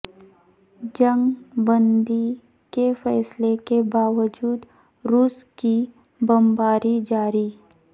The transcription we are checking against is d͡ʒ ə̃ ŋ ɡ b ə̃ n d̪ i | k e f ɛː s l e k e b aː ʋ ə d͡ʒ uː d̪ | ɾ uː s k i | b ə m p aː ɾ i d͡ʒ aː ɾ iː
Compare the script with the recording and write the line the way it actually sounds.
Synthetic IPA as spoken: d͡ʒ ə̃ ŋ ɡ b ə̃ n d̪ i | k e f ɛː s l e k e b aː ʋ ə d͡ʒ uː d̪ | ɾ uː s k i | b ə m b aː ɾ i d͡ʒ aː ɾ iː